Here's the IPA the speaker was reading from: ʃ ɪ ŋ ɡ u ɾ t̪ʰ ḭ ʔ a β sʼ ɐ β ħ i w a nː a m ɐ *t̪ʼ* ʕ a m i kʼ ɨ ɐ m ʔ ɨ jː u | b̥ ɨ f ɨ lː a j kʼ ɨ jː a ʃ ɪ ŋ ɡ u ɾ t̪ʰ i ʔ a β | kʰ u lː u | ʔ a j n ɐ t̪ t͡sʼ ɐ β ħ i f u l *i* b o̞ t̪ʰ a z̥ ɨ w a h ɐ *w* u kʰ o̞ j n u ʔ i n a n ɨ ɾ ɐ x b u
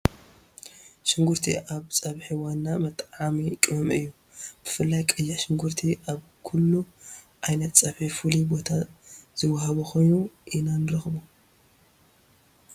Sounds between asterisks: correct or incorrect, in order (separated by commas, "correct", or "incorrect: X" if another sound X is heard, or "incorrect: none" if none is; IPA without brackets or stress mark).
correct, correct, incorrect: β